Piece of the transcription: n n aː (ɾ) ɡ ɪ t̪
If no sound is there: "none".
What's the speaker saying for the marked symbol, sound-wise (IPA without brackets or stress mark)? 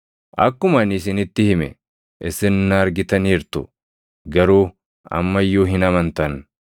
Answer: ɾ